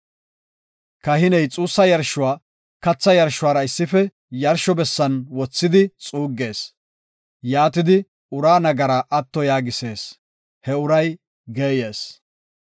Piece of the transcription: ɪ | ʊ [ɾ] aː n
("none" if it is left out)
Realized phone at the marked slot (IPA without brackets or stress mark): ɾ